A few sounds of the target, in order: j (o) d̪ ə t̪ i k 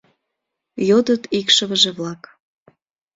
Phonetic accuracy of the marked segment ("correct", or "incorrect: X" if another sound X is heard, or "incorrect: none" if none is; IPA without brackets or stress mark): correct